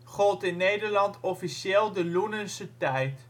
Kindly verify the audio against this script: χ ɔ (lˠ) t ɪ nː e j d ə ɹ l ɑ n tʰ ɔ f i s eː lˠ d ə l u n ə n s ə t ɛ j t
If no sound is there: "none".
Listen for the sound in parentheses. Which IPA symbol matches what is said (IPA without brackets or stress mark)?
lˠ